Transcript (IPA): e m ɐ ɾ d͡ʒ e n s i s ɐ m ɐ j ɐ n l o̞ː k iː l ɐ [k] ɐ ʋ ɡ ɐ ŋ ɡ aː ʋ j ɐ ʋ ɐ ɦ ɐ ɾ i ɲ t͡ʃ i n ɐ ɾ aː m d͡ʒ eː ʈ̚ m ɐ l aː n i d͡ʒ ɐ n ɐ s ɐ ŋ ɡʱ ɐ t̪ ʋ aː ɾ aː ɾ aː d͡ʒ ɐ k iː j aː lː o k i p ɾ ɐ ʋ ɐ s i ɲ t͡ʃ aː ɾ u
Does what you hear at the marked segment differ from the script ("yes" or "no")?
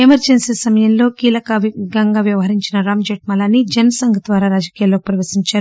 no